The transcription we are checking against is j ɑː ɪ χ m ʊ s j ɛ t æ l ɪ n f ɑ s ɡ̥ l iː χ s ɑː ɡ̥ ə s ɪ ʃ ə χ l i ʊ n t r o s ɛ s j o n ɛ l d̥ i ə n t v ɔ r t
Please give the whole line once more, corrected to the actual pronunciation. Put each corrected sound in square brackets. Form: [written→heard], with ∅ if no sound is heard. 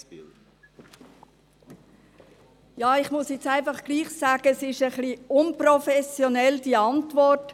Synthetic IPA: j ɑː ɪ χ m ʊ s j ɛ [t→t͡s] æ [l→∅] ɪ n f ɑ [s→χ] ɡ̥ l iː χ s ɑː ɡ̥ ə s ɪ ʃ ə χ l i ʊ n [t→p] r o [s→f] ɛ s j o n ɛ l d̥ i [ə→ɑ] n t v ɔ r t